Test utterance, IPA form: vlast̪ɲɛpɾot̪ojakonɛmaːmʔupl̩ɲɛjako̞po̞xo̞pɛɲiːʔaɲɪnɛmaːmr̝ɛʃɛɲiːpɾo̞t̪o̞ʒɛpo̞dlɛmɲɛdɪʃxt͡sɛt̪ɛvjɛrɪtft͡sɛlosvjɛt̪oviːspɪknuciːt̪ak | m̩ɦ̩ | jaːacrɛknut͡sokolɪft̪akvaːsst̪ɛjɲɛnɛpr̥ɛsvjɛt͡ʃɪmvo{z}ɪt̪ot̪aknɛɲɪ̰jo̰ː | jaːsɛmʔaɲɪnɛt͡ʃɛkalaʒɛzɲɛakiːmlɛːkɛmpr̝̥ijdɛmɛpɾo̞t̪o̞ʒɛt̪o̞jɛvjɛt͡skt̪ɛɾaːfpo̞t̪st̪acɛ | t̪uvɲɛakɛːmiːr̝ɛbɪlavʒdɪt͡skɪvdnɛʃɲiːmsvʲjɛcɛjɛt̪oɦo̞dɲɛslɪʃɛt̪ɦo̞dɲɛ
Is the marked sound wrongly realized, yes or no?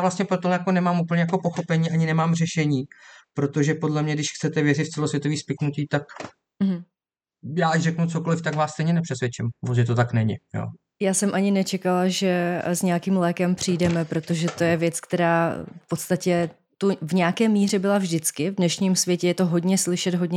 no